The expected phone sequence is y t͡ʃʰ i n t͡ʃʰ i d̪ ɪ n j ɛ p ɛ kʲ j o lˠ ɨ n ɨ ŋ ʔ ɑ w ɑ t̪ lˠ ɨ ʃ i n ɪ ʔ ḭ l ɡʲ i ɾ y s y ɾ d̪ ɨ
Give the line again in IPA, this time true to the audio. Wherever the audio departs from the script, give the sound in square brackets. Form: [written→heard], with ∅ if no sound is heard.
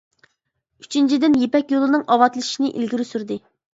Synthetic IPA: y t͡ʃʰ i n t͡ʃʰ i d̪ ɪ n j [ɛ→e] p ɛ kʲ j o lˠ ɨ n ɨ ŋ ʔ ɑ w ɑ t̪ lˠ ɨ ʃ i n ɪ ʔ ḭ l ɡʲ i ɾ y s y ɾ d̪ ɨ